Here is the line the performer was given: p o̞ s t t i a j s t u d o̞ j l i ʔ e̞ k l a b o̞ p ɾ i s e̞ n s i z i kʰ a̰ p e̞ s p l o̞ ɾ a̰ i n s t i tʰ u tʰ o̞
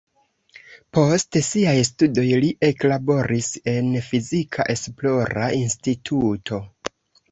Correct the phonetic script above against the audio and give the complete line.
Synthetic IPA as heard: p o̞ s t s i a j s t u d o̞ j l i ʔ e̞ k l a b o̞ ɾ i s e̞ n f i z i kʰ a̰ ʔ e̞ s p l o̞ ɾ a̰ i n s t i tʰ u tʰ o̞